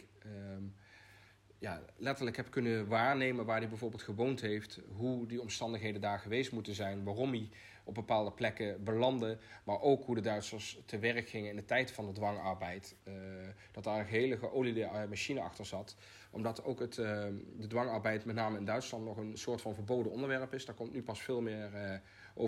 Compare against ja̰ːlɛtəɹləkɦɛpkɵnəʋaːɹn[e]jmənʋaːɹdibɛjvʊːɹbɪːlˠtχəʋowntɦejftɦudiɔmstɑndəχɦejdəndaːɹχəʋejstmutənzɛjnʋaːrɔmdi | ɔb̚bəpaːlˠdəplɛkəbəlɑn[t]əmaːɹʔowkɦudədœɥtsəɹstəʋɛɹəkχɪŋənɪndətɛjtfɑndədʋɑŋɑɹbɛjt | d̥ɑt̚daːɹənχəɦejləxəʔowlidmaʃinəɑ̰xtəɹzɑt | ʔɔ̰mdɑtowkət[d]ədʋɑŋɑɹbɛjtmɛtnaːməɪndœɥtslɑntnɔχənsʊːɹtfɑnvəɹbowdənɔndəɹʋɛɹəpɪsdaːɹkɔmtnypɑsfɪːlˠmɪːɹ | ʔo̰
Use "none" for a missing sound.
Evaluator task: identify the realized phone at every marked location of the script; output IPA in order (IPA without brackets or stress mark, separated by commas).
e, d, d